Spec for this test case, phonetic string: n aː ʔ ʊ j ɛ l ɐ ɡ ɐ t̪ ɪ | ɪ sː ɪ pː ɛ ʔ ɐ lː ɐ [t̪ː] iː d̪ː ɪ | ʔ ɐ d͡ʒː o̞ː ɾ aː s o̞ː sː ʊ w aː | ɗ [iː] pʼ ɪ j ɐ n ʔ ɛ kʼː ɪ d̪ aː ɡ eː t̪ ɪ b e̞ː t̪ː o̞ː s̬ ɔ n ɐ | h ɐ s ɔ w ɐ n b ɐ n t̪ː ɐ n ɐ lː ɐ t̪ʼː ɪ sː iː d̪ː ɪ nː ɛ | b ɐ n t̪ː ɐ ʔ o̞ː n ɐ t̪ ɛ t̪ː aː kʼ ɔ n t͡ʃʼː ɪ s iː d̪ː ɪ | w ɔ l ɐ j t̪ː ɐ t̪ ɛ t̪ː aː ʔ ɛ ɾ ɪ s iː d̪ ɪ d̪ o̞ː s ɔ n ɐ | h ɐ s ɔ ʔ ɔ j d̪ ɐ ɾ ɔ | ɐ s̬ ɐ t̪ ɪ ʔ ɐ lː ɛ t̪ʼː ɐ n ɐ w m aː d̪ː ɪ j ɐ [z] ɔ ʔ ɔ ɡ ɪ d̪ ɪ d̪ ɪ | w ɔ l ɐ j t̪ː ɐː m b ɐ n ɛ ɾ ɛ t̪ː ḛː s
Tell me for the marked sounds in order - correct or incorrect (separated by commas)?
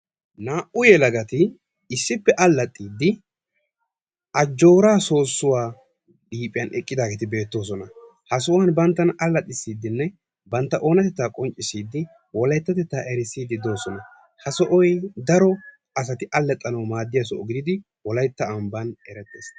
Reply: incorrect, correct, incorrect